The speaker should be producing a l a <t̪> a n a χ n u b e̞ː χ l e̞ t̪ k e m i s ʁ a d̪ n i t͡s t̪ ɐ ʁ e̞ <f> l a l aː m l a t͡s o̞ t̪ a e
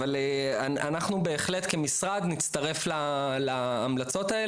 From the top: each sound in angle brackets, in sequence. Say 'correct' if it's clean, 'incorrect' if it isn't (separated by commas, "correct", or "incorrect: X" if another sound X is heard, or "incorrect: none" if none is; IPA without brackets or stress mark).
incorrect: none, correct